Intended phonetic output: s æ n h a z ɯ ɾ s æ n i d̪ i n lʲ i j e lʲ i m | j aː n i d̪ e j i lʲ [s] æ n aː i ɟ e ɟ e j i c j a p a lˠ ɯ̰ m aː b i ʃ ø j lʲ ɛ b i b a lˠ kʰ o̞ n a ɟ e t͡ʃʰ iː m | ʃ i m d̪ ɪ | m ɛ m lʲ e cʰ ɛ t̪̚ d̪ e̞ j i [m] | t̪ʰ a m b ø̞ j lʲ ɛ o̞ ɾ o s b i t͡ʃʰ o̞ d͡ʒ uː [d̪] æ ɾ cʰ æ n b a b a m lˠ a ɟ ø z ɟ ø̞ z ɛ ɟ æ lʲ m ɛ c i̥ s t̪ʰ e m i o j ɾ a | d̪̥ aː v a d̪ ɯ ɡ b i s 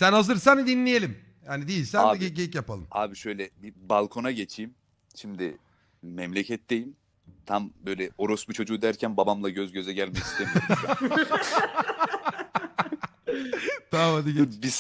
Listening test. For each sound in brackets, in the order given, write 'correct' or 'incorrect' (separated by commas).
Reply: correct, correct, correct